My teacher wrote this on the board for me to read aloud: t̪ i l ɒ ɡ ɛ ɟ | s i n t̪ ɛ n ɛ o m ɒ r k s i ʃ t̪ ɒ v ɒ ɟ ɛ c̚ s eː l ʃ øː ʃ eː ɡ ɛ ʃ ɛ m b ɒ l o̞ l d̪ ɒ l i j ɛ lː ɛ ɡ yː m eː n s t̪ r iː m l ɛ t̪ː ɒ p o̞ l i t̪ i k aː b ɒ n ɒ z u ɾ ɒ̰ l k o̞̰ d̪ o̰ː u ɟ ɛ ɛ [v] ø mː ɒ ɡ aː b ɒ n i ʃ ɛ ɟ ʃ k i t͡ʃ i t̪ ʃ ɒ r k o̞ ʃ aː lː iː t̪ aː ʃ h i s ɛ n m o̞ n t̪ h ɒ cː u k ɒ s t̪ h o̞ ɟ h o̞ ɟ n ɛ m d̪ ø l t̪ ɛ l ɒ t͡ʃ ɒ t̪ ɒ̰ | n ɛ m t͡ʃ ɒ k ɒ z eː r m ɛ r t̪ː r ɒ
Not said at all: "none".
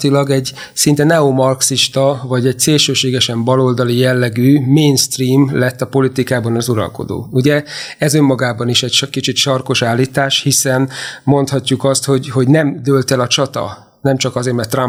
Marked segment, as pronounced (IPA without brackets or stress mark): z